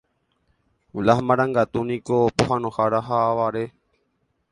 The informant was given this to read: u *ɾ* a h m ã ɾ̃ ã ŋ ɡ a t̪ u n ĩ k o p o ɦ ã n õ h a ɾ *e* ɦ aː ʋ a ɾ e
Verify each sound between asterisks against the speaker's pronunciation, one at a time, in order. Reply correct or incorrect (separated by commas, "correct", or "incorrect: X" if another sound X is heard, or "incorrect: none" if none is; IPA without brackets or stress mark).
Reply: incorrect: l, incorrect: a